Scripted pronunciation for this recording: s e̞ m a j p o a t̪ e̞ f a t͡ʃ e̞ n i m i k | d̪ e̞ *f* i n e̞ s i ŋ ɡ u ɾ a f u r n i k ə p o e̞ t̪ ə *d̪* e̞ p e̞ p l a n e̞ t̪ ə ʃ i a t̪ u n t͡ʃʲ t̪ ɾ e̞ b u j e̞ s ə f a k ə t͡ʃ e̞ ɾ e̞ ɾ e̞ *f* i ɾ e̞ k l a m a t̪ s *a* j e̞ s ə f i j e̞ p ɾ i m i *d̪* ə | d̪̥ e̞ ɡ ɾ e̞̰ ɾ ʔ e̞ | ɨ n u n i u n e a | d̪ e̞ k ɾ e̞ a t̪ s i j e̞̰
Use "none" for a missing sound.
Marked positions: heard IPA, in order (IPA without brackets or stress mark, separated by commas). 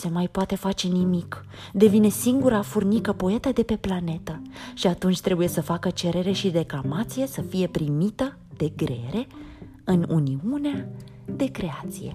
v, d̪, ʃ, i, t̪